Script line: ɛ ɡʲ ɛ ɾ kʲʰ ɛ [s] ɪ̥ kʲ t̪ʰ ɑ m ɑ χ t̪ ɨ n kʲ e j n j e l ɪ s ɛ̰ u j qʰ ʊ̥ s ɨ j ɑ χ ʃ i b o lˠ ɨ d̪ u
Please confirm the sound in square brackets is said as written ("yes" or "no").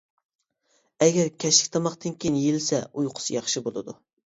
no